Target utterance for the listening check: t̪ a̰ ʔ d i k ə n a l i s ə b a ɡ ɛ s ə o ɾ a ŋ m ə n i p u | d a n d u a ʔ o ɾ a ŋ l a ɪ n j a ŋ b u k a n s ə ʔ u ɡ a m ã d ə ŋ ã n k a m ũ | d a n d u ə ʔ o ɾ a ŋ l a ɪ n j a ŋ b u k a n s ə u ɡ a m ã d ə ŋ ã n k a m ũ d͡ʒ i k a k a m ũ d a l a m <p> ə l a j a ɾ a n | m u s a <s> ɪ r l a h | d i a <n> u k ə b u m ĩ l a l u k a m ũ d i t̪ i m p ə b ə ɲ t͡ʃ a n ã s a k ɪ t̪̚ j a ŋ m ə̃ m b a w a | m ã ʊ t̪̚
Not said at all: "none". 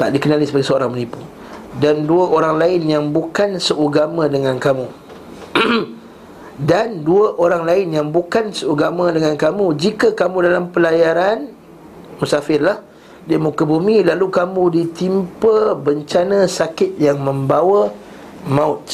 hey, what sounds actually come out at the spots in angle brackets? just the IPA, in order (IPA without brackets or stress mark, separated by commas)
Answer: p, f, m